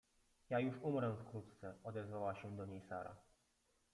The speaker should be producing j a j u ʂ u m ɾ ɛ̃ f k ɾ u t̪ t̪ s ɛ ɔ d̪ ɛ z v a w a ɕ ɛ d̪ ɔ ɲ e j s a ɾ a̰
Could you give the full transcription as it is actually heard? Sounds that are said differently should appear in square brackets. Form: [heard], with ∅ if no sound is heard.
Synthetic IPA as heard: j a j u ʂ u m ɾ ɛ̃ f k ɾ u t̪ t̪ s ɛ ɔ d̪ ɛ z v a w a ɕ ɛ d̪ ɔ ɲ e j s a ɾ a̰